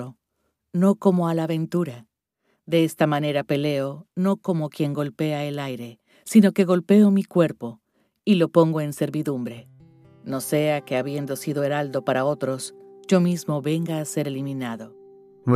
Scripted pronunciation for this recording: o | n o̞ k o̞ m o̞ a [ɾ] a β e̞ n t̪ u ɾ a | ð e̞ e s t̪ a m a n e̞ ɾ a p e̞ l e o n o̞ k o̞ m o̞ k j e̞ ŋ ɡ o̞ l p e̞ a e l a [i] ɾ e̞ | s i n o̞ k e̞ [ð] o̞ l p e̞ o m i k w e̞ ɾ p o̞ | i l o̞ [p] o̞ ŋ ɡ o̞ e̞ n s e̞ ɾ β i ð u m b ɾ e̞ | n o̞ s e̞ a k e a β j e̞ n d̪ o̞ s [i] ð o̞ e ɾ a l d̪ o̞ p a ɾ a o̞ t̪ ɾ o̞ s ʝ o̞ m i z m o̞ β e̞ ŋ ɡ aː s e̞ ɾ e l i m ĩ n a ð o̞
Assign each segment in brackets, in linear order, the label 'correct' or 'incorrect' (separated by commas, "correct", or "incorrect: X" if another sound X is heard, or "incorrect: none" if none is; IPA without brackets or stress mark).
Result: incorrect: l, incorrect: j, incorrect: ɣ, correct, correct